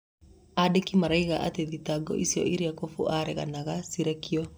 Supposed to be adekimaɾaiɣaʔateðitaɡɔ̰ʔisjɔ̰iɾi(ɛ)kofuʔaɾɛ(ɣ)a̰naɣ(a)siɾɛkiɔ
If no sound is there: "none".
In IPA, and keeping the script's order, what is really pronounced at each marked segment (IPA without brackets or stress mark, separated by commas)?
a, ɣ, a